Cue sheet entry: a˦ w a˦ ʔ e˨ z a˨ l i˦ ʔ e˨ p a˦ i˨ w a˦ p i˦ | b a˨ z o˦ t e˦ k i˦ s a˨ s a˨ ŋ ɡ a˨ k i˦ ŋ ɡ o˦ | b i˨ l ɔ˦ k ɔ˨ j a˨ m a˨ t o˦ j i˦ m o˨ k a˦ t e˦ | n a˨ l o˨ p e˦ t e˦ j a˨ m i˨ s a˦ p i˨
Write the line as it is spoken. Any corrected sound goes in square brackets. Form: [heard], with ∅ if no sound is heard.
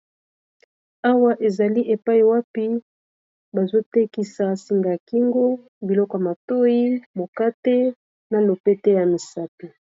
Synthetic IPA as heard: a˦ w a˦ ʔ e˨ z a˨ l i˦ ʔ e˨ p a˦ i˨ w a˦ p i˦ | b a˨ z o˦ t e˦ k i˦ s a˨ s [i˨] ŋ ɡ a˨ k i˦ ŋ ɡ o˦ | b i˨ l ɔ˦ k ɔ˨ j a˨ m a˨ t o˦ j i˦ m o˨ k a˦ t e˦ | n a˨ l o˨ p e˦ t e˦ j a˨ m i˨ s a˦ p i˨